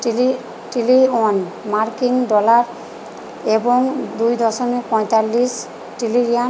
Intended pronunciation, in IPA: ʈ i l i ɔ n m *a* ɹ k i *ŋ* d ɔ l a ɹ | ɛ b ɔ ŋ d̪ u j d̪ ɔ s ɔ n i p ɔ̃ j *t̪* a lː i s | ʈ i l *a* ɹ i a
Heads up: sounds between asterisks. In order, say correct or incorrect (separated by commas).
correct, correct, correct, incorrect